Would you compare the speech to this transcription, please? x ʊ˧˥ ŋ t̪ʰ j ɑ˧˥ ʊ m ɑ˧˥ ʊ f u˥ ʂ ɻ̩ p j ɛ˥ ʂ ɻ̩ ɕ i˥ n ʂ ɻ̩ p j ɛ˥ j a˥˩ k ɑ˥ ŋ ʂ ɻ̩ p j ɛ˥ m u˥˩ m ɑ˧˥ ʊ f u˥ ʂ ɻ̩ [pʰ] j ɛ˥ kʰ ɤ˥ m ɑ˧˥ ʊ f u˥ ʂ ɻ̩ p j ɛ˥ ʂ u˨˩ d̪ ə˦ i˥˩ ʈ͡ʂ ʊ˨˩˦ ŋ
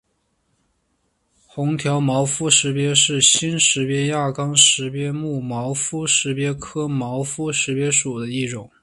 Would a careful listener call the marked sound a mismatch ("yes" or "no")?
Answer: yes